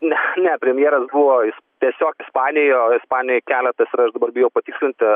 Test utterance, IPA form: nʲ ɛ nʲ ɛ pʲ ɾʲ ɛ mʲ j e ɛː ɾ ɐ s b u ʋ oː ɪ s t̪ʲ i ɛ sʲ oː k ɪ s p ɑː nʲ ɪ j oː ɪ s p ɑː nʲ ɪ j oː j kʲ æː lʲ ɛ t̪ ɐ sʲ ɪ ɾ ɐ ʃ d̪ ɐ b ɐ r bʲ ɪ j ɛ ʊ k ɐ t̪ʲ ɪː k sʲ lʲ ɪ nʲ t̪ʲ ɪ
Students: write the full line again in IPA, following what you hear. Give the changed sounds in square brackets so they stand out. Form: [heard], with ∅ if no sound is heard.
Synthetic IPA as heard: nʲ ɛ nʲ ɛ pʲ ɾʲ ɛ mʲ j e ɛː ɾ ɐ s b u ʋ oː ɪ s t̪ʲ i ɛ sʲ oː k ɪ s p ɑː nʲ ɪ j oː ɪ s p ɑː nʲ ɪ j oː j kʲ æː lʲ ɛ t̪ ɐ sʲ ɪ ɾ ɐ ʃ d̪ ɐ b ɐ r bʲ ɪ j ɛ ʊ [p] ɐ t̪ʲ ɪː k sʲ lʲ ɪ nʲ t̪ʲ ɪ

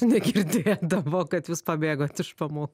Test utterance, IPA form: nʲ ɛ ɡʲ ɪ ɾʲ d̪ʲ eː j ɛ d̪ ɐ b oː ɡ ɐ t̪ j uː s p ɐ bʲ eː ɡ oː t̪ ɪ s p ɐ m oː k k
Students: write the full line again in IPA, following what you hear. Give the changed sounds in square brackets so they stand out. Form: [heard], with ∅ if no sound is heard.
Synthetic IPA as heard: nʲ ɛ ɡʲ ɪ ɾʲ d̪ʲ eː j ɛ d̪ ɐ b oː [k] ɐ t̪ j uː s p ɐ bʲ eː ɡ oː t̪ ɪ [ʃ] p ɐ m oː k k

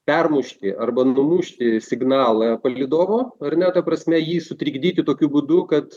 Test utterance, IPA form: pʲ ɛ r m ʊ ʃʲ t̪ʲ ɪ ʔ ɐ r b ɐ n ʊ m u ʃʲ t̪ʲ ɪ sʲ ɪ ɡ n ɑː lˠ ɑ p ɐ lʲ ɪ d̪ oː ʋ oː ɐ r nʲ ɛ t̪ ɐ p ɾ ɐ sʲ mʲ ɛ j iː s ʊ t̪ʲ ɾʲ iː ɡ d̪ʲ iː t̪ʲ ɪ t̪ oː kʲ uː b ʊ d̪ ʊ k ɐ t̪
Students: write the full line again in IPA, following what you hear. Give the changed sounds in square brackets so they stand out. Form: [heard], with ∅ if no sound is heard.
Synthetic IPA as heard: pʲ ɛ r m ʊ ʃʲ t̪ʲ ɪ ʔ ɐ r b ɐ n ʊ m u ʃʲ t̪ʲ ɪ sʲ ɪ ɡ n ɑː lˠ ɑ p ɐ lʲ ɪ d̪ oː ʋ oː ɐ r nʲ ɛ t̪ ɐ p ɾ ɐ sʲ mʲ ɛ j iː s ʊ t̪ʲ ɾʲ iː ɡ d̪ʲ iː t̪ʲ ɪ t̪ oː kʲ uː b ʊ d̪ ʊ k ɐ t̪

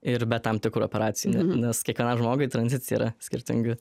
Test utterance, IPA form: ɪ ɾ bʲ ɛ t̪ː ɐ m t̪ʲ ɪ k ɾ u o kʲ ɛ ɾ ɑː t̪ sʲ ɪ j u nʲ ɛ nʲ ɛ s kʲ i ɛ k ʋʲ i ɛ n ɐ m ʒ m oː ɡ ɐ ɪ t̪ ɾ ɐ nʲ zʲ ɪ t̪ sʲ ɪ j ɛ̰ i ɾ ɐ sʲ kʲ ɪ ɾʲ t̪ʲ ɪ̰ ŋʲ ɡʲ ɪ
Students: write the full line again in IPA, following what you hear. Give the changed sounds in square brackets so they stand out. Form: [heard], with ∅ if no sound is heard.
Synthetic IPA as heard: ɪ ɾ bʲ ɛ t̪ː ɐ m t̪ʲ ɪ k ɾ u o [pʲ] ɛ ɾ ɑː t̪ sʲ ɪ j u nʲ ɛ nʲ ɛ s kʲ i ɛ k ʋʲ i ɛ n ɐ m ʒ m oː ɡ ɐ ɪ t̪ ɾ ɐ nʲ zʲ ɪ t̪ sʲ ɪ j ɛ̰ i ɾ ɐ sʲ kʲ ɪ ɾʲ t̪ʲ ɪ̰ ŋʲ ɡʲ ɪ

